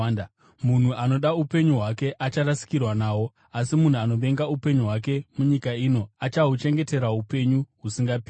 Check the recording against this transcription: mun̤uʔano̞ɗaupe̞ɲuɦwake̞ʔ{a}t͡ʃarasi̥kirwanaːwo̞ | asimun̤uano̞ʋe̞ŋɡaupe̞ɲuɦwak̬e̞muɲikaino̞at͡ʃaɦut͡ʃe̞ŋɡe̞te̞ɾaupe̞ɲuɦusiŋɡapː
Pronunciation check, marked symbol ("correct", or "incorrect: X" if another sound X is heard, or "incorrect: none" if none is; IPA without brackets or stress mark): correct